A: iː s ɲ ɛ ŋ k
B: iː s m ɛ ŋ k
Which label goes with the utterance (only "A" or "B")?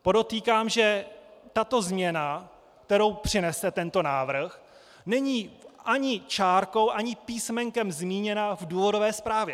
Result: B